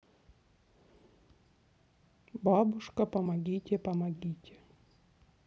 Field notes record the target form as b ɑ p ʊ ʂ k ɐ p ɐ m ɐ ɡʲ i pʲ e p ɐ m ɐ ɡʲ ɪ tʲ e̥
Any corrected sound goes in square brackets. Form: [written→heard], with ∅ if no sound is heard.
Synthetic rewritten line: b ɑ [p→b] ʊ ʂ k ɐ p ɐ m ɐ ɡʲ i [pʲ→tʲ] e p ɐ m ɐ ɡʲ [ɪ→i] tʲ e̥